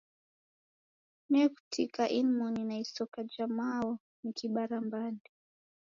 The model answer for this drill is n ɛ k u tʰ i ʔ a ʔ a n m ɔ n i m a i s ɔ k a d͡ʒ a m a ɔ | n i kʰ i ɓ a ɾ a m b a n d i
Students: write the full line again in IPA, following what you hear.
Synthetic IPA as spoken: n ɛ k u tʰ i k a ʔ i n m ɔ n i n a i s ɔ k a d͡ʒ a m a ɔ | n i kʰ i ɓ a ɾ a m b a n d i